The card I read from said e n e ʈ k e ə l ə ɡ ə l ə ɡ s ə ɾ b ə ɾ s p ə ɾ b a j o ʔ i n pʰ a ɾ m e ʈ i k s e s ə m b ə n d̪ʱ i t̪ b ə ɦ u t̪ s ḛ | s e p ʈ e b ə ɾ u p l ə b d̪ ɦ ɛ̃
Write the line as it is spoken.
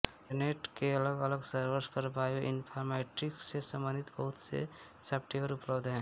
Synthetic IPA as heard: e n e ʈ k e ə l ə ɡ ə l ə ɡ s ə ɾ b ə ɾ s p ə ɾ b a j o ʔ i n pʰ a ɾ m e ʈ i k s e s ə m b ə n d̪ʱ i t̪ b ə ɦ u t̪ s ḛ | s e p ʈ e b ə ɾ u p l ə b d̪ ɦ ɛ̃